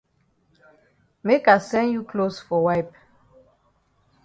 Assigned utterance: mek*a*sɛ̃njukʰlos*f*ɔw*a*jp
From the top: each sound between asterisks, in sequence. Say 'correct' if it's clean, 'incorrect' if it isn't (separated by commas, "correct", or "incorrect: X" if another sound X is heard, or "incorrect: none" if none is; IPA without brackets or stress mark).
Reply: correct, correct, correct